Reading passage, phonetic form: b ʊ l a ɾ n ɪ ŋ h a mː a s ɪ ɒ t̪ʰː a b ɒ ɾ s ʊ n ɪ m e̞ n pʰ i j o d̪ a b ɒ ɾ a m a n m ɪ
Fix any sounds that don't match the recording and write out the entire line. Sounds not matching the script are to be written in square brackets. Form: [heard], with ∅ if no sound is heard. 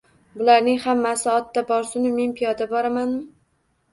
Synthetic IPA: b ʊ l a ɾ n ɪ ŋ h a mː a s ɪ ɒ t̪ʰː a b ɒ ɾ s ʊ n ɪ m e̞ n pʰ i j [ɒ] d̪ a b ɒ ɾ a m a n m ɪ